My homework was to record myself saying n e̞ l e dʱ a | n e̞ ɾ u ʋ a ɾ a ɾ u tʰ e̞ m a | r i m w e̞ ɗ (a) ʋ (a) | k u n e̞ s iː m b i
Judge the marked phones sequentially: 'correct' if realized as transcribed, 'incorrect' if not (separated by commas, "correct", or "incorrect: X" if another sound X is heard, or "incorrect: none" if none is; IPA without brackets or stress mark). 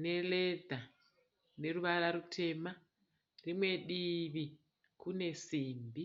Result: incorrect: i, incorrect: i